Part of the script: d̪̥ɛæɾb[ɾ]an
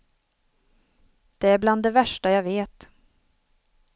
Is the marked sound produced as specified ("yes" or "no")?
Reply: no